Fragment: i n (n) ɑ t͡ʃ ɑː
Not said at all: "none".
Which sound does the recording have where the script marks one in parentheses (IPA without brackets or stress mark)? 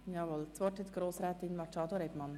m